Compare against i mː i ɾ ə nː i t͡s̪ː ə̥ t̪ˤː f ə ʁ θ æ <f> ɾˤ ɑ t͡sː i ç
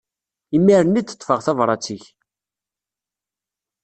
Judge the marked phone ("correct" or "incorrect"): incorrect